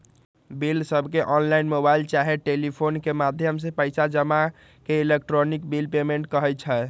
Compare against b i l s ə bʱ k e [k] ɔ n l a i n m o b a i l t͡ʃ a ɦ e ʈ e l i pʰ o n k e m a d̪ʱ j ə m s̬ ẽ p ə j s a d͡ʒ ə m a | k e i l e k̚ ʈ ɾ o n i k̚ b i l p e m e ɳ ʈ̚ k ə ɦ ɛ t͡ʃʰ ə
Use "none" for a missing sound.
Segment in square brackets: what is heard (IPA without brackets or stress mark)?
ʔ